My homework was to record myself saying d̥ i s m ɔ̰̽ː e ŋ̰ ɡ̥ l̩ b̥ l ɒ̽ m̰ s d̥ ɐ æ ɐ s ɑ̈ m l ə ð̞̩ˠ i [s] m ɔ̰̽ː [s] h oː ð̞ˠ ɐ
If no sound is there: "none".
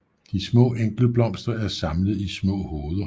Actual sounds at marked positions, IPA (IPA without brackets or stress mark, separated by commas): s, none